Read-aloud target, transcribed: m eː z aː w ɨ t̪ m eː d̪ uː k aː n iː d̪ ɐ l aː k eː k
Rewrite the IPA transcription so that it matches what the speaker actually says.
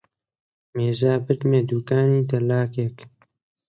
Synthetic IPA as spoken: m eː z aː b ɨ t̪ m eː d̪ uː k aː n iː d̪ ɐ l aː k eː k